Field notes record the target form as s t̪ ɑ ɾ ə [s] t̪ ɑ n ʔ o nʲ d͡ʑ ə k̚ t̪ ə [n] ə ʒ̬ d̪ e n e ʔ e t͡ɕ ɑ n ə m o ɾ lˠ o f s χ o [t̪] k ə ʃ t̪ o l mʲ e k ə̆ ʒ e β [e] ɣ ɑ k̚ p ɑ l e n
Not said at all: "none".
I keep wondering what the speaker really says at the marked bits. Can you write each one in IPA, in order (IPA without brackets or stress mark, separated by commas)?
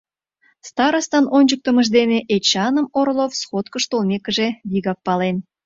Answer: s, m, t̪, i